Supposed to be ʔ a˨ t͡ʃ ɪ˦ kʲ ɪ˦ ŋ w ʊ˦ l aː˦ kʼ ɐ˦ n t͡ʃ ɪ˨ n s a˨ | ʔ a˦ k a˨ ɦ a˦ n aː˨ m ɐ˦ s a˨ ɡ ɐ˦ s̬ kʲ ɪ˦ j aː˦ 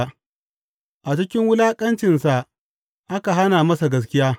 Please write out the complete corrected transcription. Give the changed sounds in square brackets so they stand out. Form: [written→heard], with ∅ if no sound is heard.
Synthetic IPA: ʔ a˨ t͡ʃ ɪ˦ kʲ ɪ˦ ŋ w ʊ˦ l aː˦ kʼ ɐ˦ n t͡ʃ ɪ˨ n s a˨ | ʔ a˦ k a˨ ɦ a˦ n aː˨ m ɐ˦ s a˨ ɡ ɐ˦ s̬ kʲ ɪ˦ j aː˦

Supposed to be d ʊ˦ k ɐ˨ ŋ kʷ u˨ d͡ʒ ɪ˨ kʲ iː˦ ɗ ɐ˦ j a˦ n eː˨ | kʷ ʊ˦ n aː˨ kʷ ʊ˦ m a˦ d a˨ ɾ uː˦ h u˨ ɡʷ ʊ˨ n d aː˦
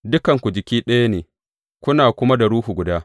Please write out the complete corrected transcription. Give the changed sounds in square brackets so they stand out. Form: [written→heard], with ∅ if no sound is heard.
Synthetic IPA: d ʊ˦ k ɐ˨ ŋ kʷ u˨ d͡ʒ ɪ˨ kʲ iː˦ ɗ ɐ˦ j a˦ n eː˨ | kʷ ʊ˦ n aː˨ kʷ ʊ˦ m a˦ d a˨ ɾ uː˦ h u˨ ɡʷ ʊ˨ [n→∅] d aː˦

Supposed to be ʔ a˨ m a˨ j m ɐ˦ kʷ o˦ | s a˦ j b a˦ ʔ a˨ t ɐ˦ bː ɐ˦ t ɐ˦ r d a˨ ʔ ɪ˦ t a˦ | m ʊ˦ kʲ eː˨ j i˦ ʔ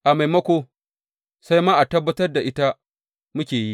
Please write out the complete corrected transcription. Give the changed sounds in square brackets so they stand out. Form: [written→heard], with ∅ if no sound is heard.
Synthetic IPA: ʔ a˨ m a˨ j m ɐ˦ kʷ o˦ | s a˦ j [b→m] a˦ ʔ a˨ t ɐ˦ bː ɐ˦ t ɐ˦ r d a˨ ʔ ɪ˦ t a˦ | m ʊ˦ kʲ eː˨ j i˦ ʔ

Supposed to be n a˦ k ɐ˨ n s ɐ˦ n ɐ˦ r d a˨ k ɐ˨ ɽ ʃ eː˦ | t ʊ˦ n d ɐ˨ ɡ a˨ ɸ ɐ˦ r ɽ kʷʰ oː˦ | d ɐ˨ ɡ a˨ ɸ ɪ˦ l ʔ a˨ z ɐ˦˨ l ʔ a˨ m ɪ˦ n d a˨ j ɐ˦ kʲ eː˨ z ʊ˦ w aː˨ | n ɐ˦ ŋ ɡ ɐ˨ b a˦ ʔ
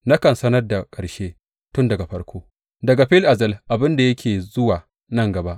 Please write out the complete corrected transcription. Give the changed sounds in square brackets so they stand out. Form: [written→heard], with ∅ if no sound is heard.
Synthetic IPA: n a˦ k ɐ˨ n s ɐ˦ n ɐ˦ r d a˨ [k→kʼ] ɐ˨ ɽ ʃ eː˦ | t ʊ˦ n d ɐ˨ ɡ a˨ ɸ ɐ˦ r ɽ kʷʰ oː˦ | d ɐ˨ ɡ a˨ ɸ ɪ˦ l ʔ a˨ z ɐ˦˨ l ʔ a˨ [m→b] ɪ˦ n d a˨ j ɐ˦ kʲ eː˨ z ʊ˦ w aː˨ | n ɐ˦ ŋ ɡ ɐ˨ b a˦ ʔ

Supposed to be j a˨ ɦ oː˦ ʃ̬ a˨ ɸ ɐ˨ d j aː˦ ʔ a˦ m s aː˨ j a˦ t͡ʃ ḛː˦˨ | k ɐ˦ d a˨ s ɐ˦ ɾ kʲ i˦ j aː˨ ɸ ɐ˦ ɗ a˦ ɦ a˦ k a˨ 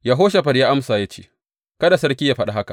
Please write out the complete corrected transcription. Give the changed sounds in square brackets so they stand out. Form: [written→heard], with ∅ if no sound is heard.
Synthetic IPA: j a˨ ɦ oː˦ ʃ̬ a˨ ɸ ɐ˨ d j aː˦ ʔ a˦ m s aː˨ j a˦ t͡ʃ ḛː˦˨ | k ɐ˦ d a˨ s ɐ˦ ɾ kʲ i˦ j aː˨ ɸ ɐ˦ ɗ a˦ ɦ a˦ k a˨

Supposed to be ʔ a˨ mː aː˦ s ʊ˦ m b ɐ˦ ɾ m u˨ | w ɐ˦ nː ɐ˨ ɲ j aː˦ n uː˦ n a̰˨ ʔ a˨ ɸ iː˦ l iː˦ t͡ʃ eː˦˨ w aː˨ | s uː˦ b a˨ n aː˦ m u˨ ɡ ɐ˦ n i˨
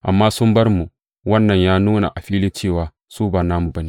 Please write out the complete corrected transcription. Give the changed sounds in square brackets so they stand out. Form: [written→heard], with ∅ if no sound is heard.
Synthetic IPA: ʔ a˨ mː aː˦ s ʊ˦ m b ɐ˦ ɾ m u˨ | w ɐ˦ nː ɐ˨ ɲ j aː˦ n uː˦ n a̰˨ ʔ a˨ ɸ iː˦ l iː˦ t͡ʃ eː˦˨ w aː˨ | s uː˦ b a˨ n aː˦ m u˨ [ɡ→b] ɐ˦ n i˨

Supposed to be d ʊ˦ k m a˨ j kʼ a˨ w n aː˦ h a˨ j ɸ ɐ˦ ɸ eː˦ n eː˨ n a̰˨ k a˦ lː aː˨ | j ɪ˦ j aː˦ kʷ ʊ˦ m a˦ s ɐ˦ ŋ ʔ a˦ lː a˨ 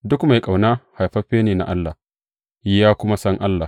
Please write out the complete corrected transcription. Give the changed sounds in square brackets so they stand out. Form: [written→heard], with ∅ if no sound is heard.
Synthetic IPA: d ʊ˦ k m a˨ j kʼ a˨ w n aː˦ h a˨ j ɸ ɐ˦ ɸ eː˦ n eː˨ n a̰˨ [k→ʔ] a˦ lː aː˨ | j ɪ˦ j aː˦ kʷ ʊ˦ m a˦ s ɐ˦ ŋ ʔ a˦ lː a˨

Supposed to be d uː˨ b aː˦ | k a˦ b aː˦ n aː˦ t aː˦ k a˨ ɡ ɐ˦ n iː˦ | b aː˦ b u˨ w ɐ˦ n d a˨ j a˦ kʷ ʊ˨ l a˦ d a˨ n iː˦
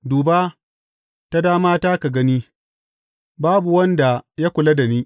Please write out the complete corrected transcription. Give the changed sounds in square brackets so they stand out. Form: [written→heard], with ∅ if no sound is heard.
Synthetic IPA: d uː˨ b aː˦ | [k→t] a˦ [b→d] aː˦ [n→m] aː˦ t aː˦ k a˨ ɡ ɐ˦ n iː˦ | b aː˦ b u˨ w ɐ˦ n d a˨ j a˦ kʷ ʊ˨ l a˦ d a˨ n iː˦

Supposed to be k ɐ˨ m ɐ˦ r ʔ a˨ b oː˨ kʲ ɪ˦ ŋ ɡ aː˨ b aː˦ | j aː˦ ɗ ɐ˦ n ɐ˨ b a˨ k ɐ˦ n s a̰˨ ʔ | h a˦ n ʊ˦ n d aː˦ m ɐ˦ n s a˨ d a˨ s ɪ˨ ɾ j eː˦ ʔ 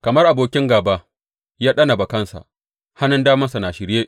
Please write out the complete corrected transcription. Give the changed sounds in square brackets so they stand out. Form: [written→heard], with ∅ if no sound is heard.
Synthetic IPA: k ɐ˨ m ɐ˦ r ʔ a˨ b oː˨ kʲ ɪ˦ ŋ ɡ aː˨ b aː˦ | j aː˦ ɗ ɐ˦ n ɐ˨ b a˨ k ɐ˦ n s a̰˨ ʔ | h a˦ n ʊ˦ n d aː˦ m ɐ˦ n s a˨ [d→n] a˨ [s→ʃ] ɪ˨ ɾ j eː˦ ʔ

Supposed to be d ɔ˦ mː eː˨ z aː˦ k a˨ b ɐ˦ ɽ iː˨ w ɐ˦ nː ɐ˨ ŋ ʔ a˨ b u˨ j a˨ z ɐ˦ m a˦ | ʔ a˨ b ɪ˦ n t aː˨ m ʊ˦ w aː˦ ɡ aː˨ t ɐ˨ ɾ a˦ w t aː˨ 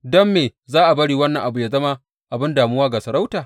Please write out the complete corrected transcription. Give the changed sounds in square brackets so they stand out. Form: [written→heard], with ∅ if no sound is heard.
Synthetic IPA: d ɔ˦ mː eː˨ z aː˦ [k→ʔ] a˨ b ɐ˦ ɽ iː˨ w ɐ˦ nː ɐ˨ ŋ ʔ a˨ b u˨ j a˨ z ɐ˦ m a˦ | ʔ a˨ b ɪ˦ n [t→d] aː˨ m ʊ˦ w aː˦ ɡ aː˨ [t→s] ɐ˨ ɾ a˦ w t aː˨

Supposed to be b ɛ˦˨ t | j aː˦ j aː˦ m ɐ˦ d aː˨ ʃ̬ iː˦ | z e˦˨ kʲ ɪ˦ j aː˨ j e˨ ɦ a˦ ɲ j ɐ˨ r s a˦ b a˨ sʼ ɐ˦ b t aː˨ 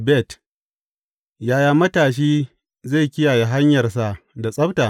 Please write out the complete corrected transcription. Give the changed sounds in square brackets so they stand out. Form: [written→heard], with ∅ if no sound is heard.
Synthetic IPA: b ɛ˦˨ t | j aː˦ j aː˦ m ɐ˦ [d→t] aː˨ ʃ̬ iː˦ | z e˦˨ kʲ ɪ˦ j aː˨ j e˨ ɦ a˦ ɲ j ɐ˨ r s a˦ [b→d] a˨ sʼ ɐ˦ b t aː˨

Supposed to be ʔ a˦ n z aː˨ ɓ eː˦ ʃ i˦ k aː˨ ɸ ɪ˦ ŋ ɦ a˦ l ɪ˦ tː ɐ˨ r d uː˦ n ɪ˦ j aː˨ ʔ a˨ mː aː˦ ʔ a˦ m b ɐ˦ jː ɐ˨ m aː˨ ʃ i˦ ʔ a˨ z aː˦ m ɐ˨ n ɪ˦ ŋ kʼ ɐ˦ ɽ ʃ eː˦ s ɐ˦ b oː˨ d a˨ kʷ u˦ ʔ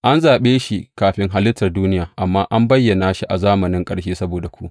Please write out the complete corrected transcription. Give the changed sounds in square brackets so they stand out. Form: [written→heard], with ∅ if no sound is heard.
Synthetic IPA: ʔ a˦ n z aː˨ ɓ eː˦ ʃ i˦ k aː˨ ɸ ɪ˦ ŋ ɦ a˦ l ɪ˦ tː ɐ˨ r d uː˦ n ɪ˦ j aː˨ ʔ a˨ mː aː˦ ʔ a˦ m b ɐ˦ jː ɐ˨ [m→n] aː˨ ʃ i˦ ʔ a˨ z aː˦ m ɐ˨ n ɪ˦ ŋ kʼ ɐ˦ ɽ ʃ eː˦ s ɐ˦ b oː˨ d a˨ kʷ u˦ ʔ

